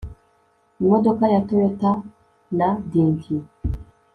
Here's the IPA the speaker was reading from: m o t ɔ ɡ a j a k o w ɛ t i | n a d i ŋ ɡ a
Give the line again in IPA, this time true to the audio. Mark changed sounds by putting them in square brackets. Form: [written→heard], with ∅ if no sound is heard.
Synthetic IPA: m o [t→d] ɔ [ɡ→k] a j a [k→t] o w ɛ t [i→a] | n a d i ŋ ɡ [a→i]